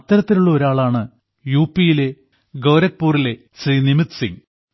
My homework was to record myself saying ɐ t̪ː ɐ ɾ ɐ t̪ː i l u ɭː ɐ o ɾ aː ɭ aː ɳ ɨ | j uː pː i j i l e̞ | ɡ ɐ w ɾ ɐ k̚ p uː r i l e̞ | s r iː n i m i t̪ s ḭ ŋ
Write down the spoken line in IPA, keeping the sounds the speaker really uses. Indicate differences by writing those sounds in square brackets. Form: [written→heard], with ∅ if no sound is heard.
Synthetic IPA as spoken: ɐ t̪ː ɐ ɾ ɐ t̪ː i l u ɭː ɐ o ɾ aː ɭ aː ɳ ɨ | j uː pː i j i l e̞ | ɡ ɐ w ɾ ɐ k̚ p uː r i l e̞ | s r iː n i m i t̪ s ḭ ŋ